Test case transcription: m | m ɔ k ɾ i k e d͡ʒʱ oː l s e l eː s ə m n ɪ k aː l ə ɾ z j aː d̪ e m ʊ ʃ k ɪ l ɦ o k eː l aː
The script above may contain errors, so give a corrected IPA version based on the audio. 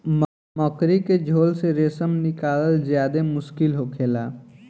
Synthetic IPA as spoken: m | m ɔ k ɾ i k e d͡ʒʱ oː l s e ɾ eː s ə m n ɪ k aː l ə l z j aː d̪ e m ʊ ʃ k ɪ l ɦ o kʰ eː l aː